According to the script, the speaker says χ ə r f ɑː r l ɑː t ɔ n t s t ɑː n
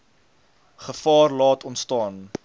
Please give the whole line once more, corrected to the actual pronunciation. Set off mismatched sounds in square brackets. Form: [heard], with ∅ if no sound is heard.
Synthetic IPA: χ ə [∅] f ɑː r l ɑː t ɔ n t s t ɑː n